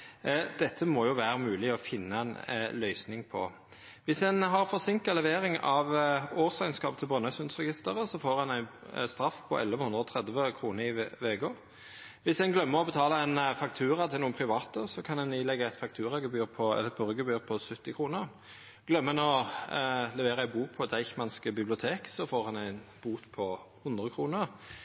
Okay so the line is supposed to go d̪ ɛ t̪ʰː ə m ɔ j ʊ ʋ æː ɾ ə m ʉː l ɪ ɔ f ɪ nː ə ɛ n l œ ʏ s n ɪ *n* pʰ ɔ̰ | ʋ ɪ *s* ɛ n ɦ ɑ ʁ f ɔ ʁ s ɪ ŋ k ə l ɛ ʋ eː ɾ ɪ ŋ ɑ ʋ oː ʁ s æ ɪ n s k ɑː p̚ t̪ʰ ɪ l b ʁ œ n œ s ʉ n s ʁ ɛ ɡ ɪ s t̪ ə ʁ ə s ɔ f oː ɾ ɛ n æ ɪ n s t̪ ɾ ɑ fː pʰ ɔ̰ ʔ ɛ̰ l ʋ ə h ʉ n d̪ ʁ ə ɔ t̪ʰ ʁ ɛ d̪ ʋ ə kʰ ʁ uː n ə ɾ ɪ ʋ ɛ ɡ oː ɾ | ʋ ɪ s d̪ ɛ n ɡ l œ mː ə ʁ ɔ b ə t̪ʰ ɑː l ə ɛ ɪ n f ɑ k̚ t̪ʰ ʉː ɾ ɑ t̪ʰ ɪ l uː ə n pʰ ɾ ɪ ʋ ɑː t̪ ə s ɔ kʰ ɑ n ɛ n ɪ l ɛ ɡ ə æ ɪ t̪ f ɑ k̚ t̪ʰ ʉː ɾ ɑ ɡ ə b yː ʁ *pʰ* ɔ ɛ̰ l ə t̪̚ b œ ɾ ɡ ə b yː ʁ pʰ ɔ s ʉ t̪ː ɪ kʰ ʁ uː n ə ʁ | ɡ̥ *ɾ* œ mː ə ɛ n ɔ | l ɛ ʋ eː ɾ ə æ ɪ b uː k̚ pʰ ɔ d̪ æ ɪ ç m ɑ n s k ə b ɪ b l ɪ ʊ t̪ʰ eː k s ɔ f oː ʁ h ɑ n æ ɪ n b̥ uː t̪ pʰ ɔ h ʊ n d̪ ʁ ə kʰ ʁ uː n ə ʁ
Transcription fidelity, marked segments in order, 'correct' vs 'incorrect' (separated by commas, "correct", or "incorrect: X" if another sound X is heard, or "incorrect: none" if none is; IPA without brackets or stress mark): incorrect: ŋ, correct, correct, incorrect: l